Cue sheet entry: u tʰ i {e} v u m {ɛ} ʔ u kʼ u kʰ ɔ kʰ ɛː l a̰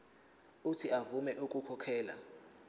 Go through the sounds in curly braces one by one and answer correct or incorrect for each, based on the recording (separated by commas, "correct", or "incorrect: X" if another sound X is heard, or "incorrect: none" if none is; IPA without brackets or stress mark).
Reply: incorrect: a, correct